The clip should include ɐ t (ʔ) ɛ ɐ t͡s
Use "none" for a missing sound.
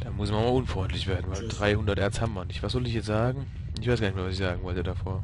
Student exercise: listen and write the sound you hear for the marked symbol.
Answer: ʔ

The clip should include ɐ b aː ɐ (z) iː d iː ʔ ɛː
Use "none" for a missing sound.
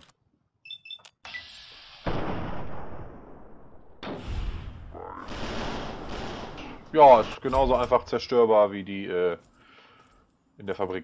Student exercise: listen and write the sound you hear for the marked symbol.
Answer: v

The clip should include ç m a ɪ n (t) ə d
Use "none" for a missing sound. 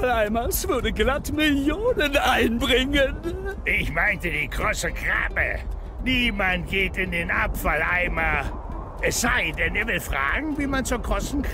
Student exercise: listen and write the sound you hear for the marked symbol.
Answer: t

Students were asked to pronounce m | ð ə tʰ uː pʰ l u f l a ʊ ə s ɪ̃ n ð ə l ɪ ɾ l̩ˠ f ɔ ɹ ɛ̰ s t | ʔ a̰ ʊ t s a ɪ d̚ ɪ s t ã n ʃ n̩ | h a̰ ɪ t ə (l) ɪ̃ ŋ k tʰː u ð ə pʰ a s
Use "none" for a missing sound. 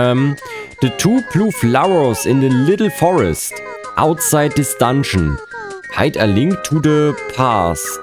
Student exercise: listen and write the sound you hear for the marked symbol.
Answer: l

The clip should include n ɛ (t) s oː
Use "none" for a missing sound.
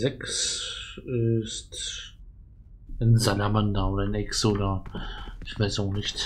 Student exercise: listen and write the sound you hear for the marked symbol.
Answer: k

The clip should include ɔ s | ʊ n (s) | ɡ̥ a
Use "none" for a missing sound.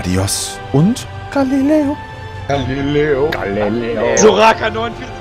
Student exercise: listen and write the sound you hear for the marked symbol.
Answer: t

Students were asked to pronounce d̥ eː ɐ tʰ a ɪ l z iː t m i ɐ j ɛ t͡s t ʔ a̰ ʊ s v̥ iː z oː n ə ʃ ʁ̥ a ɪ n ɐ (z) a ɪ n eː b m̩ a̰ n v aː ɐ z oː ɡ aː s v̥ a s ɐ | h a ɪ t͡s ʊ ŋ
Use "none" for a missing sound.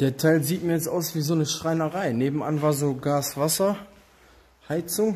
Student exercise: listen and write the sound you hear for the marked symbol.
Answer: ʁ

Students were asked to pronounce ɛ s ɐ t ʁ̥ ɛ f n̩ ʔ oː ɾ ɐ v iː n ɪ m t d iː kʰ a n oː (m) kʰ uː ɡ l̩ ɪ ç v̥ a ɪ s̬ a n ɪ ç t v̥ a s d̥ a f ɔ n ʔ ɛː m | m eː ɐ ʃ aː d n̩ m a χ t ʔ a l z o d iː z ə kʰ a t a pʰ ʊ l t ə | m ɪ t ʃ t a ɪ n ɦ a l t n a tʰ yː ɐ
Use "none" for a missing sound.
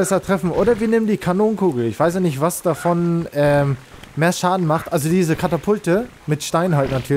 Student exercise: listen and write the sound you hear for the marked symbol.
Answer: n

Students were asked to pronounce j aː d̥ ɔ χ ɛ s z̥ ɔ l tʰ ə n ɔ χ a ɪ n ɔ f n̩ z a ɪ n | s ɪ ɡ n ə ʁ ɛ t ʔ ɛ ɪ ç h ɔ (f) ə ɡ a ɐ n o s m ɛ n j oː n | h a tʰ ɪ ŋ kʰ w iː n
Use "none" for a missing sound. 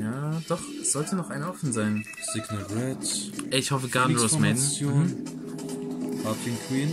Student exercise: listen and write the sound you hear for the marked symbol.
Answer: f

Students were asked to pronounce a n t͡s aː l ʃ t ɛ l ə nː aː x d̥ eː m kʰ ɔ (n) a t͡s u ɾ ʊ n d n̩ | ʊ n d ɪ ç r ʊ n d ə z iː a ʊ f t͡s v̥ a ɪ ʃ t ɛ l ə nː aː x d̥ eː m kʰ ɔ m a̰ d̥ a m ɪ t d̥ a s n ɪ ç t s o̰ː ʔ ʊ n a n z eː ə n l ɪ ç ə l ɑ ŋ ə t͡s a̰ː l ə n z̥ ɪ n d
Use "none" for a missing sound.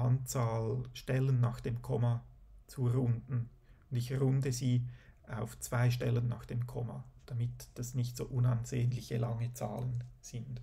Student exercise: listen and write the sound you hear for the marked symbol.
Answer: m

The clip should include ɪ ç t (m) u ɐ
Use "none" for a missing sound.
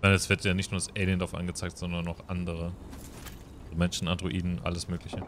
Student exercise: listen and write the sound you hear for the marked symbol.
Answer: n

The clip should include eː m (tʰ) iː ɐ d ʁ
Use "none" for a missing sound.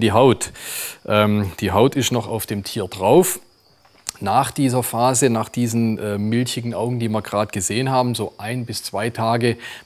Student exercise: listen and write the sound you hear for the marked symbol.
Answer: tʰ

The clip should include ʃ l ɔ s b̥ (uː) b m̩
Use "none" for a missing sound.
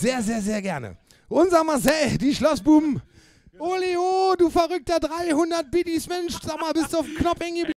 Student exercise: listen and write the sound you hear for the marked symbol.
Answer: uː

